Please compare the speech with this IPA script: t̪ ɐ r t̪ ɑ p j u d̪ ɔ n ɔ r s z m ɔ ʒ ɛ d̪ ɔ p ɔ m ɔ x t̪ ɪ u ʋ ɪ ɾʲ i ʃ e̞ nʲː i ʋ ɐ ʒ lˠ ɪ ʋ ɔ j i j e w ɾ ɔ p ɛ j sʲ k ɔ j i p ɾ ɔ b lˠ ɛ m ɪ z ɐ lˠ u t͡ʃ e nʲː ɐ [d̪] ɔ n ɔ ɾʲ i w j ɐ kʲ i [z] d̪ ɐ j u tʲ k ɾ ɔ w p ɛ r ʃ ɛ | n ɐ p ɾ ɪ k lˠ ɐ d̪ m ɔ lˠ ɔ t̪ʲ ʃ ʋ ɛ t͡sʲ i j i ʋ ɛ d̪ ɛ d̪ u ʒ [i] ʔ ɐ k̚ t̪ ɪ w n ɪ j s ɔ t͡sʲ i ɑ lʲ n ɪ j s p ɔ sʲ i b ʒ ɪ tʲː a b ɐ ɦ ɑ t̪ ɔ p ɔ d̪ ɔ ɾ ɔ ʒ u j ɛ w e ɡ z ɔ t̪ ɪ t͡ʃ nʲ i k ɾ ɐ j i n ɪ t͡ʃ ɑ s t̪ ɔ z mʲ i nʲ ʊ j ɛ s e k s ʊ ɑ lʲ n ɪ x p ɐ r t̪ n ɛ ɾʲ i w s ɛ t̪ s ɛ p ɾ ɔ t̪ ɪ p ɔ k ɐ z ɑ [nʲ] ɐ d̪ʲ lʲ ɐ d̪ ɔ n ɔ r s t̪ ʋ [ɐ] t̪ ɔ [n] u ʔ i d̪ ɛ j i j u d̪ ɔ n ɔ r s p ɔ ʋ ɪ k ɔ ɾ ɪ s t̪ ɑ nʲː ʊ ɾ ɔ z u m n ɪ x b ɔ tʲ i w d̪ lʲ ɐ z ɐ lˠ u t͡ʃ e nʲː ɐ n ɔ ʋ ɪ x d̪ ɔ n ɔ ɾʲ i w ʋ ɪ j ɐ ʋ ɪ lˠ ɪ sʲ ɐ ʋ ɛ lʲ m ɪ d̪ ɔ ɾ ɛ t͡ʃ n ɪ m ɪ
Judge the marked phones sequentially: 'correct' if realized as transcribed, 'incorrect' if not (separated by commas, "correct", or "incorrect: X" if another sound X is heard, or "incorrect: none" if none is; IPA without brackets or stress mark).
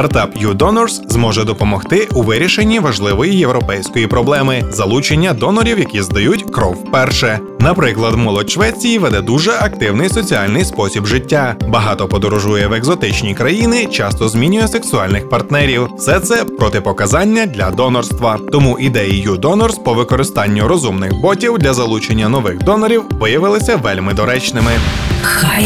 correct, correct, incorrect: ɛ, incorrect: nʲː, correct, incorrect: m